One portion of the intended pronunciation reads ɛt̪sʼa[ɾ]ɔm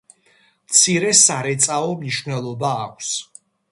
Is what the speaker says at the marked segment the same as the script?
no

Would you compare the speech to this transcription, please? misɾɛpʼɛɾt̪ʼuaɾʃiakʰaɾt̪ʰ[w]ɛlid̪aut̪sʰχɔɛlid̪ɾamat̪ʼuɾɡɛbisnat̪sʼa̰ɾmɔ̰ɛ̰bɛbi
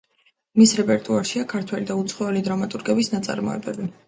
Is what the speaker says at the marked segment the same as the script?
yes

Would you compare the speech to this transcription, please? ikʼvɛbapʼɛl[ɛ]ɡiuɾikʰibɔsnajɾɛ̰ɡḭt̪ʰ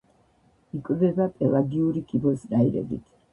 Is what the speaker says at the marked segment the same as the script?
no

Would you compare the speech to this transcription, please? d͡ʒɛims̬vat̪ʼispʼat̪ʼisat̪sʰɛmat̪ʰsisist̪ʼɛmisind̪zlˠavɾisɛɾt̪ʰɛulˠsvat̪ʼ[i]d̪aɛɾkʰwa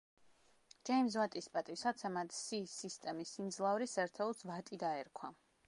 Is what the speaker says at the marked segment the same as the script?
yes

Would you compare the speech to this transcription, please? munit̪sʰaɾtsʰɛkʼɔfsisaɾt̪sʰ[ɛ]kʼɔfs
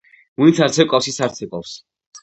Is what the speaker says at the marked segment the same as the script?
yes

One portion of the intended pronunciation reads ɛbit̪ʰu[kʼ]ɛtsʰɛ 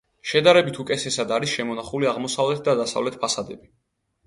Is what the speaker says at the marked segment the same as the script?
yes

